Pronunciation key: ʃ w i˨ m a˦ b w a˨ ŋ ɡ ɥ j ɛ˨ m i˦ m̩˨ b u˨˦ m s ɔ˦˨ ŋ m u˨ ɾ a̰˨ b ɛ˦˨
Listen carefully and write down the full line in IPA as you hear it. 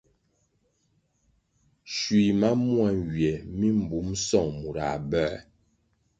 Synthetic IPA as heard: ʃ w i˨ m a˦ m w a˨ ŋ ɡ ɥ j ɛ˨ m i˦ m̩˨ b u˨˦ m s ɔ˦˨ ŋ m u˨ ɾ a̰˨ b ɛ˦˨